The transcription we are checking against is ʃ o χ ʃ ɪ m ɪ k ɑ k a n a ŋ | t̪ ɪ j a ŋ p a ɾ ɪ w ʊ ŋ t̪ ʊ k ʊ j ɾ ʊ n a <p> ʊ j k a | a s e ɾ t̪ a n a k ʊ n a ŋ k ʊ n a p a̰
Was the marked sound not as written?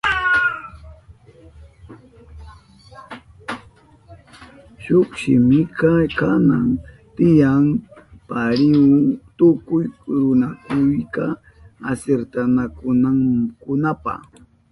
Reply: yes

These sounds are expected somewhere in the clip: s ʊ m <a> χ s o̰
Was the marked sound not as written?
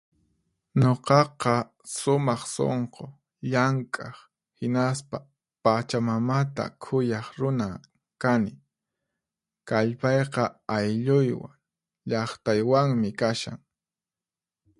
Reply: yes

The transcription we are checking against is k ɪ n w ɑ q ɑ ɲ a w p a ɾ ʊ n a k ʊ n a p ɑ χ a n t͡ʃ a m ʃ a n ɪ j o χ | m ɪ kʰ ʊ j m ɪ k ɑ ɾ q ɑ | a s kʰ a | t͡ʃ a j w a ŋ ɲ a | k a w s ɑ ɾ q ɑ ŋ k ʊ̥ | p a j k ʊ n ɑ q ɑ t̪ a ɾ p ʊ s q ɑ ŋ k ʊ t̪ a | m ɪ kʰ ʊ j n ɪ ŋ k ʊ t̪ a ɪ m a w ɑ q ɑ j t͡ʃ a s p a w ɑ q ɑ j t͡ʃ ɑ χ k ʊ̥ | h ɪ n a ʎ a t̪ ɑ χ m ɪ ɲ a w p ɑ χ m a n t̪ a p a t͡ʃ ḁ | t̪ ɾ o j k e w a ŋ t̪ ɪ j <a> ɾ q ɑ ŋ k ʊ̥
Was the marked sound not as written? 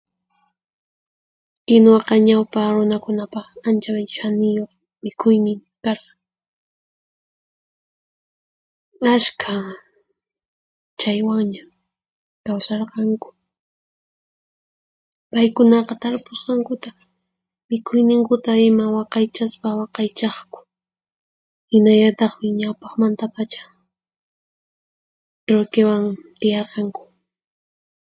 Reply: yes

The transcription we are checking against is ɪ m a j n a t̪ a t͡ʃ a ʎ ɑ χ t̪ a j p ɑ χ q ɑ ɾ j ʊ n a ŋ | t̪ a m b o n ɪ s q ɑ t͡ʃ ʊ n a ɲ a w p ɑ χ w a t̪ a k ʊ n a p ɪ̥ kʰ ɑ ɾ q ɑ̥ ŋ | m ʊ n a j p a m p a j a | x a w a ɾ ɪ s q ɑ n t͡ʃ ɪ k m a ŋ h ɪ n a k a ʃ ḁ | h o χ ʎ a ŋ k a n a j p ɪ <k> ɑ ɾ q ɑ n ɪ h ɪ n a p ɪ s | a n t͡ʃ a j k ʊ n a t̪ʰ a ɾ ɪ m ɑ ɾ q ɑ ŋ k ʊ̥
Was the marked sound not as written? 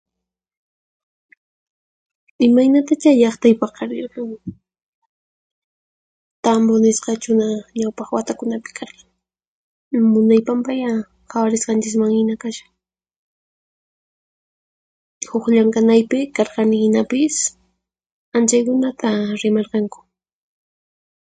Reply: no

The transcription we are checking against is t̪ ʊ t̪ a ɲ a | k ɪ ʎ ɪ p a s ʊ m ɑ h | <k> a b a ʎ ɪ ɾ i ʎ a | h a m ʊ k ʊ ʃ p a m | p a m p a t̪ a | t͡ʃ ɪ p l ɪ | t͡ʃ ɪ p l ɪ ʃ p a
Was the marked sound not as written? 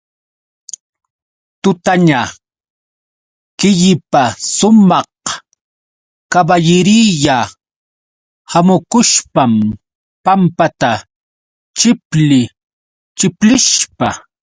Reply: no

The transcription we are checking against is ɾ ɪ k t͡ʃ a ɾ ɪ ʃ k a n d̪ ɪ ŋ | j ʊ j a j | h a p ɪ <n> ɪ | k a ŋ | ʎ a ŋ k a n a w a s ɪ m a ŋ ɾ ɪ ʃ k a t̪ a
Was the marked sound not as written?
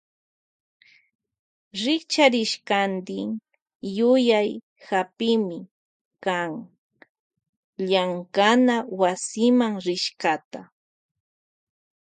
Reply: yes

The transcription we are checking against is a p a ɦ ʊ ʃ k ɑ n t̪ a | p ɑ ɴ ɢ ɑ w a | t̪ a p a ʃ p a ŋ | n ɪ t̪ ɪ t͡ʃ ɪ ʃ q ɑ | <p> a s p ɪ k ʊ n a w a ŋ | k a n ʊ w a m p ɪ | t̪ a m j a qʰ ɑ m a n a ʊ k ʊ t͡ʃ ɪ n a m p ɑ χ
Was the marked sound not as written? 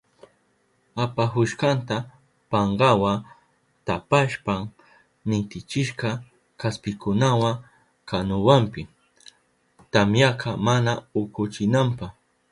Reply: yes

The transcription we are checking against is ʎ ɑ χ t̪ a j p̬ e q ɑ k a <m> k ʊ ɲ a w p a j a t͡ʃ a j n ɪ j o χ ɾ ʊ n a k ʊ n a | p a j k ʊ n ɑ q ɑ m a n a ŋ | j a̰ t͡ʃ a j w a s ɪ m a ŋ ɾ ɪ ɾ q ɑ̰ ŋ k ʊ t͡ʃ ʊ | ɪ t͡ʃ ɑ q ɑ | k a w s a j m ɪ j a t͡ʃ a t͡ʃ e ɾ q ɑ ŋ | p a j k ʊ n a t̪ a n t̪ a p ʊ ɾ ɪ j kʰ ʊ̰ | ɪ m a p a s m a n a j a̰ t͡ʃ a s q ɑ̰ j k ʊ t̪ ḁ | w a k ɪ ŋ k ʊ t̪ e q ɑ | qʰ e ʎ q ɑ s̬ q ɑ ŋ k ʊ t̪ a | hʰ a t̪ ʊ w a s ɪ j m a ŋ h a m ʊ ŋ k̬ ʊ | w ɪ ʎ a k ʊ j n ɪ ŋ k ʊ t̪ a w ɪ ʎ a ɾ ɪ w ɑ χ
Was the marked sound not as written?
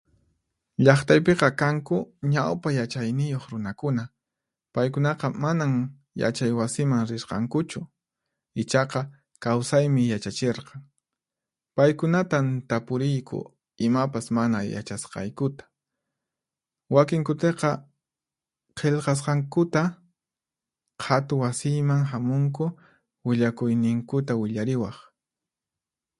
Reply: yes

